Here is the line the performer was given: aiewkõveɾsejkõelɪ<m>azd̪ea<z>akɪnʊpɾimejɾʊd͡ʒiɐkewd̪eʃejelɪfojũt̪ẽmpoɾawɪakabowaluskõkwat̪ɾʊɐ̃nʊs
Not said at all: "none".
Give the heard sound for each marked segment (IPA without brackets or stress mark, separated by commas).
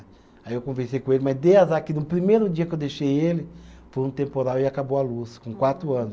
m, z